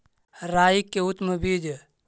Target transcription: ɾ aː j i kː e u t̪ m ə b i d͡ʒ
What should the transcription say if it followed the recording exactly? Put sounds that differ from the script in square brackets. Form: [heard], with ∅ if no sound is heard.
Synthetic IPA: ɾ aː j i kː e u t̪ m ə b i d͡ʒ